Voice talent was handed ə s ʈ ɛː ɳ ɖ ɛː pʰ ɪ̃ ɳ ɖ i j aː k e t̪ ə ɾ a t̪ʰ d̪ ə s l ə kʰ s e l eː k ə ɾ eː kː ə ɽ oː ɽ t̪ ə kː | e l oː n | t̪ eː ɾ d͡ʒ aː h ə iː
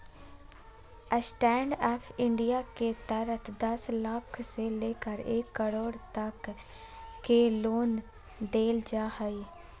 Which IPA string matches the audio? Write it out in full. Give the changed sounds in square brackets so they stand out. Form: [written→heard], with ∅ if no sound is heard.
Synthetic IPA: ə s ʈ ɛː ɳ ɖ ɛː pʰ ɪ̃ ɳ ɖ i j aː k e t̪ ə ɾ [a→ə] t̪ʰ d̪ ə s l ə kʰ s e l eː k ə ɾ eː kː ə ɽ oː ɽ t̪ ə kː | e l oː n | [t̪→d̪] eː [ɾ→l] d͡ʒ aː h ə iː